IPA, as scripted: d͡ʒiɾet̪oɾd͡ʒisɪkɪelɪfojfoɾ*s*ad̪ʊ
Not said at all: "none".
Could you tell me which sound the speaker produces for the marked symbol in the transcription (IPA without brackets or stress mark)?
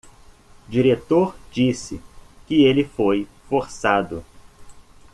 s